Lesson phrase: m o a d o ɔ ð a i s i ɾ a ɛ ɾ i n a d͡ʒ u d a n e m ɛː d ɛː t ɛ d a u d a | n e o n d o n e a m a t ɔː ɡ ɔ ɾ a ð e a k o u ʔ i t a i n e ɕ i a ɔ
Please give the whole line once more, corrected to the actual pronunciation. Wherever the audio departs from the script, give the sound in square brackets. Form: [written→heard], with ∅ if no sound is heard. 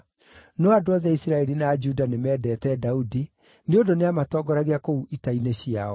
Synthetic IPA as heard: [m→n] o a d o ɔ ð [a→ɛ] i s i ɾ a ɛ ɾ i n a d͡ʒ u d a n e m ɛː d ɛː t ɛ d a u d [a→i] | n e o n d o n e a m a t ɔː ɡ ɔ ɾ a [ð→ɣ] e a k o u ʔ i t a i n e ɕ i a ɔ